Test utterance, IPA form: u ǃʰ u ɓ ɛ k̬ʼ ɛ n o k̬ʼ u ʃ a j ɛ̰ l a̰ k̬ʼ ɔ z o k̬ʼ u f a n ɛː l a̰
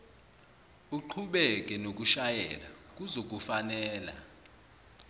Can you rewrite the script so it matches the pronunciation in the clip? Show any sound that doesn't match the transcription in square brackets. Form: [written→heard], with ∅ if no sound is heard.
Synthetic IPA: u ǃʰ u ɓ ɛ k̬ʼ ɛ n o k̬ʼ u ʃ a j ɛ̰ l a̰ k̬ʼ [ɔ→u] z o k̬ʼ u f a n ɛː l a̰